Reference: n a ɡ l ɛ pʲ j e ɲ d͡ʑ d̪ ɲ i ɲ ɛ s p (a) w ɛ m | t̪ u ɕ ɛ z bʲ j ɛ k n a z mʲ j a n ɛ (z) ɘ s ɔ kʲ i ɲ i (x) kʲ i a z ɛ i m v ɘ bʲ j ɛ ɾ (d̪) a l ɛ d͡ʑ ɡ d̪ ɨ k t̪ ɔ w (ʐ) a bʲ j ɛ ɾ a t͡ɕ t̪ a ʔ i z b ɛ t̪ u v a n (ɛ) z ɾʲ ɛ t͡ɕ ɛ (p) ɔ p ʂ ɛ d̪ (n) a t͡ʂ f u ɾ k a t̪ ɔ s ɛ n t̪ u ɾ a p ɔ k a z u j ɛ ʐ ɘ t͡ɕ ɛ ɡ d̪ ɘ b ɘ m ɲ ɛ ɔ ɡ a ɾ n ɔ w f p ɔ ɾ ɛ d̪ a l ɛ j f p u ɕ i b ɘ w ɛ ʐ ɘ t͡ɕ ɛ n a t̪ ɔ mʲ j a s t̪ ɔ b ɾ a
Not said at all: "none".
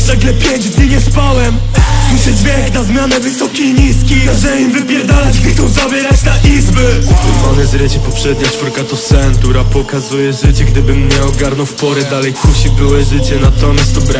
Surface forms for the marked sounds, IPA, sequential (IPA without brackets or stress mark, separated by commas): a, v, s, d̪, z, ɛ, p, ɲ